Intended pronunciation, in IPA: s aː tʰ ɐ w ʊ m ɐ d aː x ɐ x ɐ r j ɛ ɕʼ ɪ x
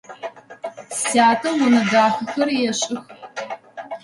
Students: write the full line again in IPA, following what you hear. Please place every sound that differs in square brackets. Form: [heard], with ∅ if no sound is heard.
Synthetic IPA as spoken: s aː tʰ ɐ w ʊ [n] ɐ d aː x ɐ x ɐ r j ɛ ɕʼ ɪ x